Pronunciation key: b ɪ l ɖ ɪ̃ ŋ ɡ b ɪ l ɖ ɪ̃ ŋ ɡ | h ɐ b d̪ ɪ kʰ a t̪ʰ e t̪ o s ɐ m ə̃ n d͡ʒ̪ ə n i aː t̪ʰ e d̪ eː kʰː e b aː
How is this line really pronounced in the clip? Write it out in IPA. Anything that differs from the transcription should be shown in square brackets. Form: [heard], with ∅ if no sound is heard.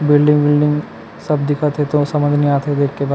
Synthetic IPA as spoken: b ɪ l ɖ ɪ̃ ŋ ɡ b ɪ l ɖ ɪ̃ ŋ ɡ | [s] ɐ b d̪ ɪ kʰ a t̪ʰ e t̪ o s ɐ m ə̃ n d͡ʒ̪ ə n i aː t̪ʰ e d̪ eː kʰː e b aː